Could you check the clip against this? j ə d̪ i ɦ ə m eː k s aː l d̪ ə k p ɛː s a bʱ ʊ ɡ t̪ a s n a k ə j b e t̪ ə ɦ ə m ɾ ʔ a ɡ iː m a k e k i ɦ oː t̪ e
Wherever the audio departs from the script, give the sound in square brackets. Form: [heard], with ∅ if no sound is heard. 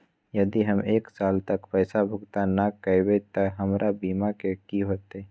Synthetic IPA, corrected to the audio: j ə d̪ i ɦ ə m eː k s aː l [t̪] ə k p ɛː s a bʱ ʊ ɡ t̪ a [∅] n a k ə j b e t̪ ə ɦ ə m ɾ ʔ a [b] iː m a k e k i ɦ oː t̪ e